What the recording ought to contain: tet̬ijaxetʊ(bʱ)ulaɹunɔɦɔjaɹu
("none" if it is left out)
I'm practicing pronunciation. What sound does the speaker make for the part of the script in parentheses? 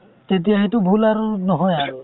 bʱ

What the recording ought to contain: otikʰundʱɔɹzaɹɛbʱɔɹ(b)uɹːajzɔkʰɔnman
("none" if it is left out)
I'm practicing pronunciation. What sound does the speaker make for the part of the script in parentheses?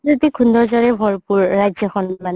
p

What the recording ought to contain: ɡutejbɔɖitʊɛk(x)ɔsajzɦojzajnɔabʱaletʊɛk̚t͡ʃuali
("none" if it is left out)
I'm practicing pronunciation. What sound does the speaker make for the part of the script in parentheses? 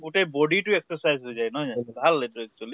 s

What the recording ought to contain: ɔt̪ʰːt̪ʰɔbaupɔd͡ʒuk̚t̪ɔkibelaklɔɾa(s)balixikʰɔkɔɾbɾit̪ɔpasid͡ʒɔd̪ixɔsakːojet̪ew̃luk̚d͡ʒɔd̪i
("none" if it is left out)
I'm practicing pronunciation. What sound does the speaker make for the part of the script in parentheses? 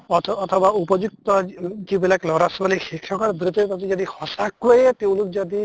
s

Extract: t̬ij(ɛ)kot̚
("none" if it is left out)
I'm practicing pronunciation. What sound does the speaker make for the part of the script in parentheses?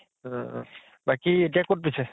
a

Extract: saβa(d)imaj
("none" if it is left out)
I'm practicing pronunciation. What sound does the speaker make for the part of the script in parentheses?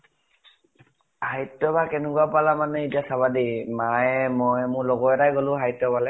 d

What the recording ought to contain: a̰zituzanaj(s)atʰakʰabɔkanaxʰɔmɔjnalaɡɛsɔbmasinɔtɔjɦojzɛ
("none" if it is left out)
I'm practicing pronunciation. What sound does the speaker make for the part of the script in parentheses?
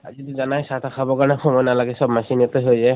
s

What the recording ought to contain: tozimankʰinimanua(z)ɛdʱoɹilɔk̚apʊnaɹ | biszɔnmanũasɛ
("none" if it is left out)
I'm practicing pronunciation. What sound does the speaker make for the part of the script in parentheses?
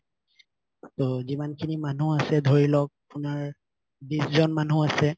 s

